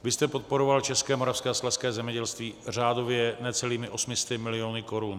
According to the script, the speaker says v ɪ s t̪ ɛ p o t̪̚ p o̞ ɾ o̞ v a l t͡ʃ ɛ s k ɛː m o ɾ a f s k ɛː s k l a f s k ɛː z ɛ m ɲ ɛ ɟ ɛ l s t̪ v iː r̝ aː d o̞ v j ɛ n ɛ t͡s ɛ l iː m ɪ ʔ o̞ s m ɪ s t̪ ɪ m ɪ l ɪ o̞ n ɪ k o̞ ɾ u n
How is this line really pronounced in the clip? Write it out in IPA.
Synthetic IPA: v ɪ s t̪ ɛ p o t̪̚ p o̞ ɾ o̞ v a l t͡ʃ ɛ s k ɛː m o ɾ a f s k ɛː s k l a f s k ɛː z ɛ m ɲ ɛ ɟ ɛ l s t̪ v iː r̝ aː d o̞ v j ɛ n ɛ t͡s ɛ l iː m ɪ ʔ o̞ s m ɪ s t̪ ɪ m ɪ l ɪ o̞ n ɪ k o̞ ɾ u n